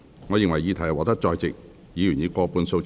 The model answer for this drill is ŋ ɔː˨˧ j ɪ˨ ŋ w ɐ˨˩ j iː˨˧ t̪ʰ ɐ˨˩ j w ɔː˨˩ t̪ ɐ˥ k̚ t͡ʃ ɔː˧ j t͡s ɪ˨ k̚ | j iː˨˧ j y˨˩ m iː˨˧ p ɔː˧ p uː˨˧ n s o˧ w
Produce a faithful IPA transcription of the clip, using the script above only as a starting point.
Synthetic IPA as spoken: ŋ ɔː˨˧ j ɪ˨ ŋ w ɐ˨˩ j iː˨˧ t̪ʰ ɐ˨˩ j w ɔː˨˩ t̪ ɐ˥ k̚ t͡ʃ ɔː˧ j t͡s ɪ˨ k̚ | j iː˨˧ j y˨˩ n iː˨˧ k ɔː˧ p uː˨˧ n s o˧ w

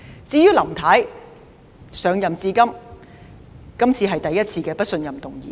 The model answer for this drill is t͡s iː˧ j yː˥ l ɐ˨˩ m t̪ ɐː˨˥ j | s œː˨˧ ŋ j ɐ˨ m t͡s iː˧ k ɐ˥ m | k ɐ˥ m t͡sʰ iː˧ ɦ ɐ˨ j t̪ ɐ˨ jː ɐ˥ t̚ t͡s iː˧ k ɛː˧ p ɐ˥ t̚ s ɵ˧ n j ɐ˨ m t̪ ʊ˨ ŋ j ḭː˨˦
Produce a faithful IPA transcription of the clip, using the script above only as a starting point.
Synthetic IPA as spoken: t͡s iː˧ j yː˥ l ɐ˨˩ m t̪ʰ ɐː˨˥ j | s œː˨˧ ŋ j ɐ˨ m t͡s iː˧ k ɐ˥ m | k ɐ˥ m t͡sʰ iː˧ ɦ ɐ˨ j t̪ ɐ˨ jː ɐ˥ t̚ t͡sʰ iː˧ k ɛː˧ p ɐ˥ t̚ s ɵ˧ n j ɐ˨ m t̪ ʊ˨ ŋ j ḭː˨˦

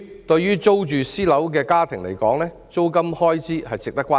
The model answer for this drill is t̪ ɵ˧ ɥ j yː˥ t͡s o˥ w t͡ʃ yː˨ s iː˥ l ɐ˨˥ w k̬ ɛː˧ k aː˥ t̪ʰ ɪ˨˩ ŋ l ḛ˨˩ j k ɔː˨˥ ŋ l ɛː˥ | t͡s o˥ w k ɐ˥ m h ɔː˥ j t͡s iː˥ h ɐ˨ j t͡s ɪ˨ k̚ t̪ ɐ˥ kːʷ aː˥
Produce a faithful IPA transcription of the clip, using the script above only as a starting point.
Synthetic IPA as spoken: t̪ ɵ˧ ɥ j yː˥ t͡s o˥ w t͡ʃ yː˨ s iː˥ l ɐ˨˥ w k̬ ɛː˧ k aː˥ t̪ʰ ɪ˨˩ ŋ l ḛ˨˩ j k ɔː˨˥ ŋ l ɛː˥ | t͡s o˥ w k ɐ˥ m h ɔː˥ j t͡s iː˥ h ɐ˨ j t͡s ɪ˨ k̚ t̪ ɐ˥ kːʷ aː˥

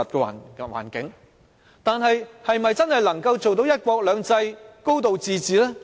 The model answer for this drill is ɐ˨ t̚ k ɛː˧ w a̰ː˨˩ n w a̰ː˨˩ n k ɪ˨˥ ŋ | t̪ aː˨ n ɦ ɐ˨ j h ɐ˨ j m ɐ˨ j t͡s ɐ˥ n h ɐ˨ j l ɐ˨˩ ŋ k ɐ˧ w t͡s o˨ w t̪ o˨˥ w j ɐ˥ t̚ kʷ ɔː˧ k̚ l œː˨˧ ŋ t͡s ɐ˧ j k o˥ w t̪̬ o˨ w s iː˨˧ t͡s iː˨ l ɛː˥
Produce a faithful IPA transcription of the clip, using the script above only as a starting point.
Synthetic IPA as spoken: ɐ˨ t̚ k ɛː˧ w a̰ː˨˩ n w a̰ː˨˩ n k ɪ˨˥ ŋ | t̪ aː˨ n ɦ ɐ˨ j h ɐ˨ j m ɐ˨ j t͡s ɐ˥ n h ɐ˨ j l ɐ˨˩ ŋ k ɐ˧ w t͡s o˨ w t̪ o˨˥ w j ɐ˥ t̚ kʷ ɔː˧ k̚ l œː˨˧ ŋ t͡s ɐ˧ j k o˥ w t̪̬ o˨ w t͡s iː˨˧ t͡s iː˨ l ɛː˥

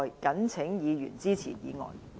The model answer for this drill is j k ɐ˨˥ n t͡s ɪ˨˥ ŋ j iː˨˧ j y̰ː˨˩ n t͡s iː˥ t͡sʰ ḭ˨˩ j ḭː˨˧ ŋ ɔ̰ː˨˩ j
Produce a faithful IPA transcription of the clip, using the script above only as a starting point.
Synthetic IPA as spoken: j k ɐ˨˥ n t͡sʰ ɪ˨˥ ŋ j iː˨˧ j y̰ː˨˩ n t͡s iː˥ t͡sʰ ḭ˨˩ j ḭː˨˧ ŋ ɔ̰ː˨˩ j

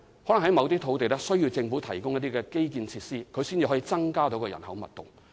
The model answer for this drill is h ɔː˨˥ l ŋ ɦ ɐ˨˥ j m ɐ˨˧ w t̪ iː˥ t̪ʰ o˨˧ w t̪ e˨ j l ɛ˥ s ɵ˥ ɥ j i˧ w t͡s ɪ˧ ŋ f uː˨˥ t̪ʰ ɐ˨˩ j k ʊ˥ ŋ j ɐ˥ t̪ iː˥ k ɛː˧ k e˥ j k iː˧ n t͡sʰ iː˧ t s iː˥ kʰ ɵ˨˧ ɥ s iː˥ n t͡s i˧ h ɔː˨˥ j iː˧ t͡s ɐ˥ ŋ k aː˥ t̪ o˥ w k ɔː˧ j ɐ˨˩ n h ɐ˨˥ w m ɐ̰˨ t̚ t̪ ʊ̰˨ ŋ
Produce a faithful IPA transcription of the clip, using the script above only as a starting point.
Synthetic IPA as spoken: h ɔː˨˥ l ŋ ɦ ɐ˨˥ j m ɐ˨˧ w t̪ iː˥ t̪ʰ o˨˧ w t̪ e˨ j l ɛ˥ s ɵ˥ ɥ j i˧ w t͡s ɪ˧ ŋ f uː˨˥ t̪ʰ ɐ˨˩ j k ʊ˥ ŋ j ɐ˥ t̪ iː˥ k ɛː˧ k e˥ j k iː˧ n t͡sʰ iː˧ t s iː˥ kʰ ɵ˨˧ ɥ s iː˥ n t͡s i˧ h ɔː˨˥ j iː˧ t͡s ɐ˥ ŋ k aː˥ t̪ o˨˥ w k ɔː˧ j ɐ˨˩ n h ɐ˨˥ w m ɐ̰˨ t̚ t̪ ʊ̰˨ ŋ

